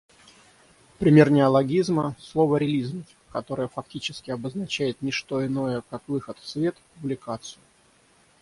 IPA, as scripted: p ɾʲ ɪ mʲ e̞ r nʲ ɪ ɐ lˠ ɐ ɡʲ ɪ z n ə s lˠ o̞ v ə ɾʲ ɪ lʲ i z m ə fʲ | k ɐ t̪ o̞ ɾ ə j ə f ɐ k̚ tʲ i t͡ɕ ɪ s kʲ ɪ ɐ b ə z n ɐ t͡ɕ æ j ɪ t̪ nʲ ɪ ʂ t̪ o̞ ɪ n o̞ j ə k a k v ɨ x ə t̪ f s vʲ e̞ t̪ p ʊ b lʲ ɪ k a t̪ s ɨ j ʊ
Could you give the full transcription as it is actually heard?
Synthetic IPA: p ɾʲ ɪ mʲ e̞ r nʲ ɪ ɐ lˠ ɐ ɡʲ i z m ə s lˠ o̞ v ə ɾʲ ɪ lʲ i z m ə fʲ | k ɐ t̪ o̞ ɾ ə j ə f ɐ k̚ tʲ i t͡ɕ ɪ s kʲ ɪ ɐ b ə z n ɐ t͡ɕ æ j ɪ t̪ nʲ ɪ ʂ t̪ o̞ ɪ n o̞ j ə k a k v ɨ x ə t̪ f s vʲ e̞ t̪ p ʊ b lʲ ɪ k a t̪ s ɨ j ʊ